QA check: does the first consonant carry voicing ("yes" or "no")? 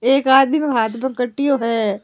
no